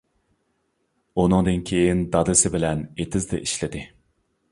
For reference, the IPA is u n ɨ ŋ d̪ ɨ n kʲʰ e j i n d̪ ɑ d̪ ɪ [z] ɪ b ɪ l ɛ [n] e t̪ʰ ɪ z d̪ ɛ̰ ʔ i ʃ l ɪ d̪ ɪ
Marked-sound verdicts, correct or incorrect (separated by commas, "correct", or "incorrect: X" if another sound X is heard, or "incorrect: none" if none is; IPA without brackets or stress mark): incorrect: s, correct